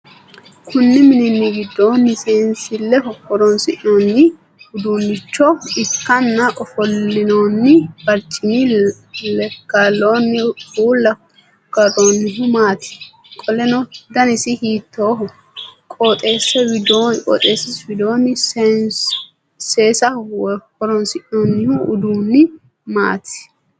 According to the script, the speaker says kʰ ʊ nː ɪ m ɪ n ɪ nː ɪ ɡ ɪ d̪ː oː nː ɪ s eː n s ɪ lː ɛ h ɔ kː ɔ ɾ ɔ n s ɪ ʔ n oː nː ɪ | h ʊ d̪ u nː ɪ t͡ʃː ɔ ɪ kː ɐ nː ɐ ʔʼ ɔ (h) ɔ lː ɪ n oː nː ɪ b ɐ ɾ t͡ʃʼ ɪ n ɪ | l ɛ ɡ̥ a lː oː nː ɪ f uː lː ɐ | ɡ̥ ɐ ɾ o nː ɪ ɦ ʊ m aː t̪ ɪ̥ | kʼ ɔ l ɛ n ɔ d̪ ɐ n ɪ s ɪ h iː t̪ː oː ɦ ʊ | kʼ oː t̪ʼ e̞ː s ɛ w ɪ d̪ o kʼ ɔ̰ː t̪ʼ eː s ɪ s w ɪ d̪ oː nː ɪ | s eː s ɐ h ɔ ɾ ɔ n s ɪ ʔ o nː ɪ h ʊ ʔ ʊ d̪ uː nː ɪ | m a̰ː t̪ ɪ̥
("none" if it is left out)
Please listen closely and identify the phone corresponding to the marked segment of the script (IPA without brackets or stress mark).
f